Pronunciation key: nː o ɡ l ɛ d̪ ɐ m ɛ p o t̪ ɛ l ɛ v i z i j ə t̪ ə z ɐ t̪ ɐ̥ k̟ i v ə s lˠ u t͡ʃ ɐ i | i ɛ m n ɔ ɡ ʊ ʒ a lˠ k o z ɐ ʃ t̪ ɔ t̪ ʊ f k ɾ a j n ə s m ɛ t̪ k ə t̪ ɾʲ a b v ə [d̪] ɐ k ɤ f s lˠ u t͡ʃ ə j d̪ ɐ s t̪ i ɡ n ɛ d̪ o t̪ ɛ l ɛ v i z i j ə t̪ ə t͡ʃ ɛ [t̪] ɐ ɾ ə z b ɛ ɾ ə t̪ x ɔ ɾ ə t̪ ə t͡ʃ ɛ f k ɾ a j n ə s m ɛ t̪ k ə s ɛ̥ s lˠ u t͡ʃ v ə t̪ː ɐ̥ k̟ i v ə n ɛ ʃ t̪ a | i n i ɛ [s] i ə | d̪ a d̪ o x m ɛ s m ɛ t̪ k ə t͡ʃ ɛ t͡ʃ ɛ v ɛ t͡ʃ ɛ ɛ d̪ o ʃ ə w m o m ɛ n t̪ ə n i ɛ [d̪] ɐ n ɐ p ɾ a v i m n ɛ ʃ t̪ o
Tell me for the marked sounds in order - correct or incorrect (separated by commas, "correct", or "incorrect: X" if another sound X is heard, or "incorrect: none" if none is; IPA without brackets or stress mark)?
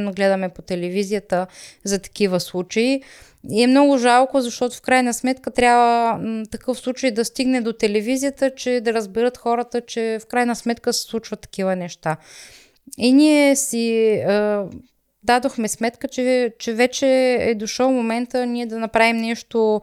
incorrect: t̪, incorrect: d̪, correct, correct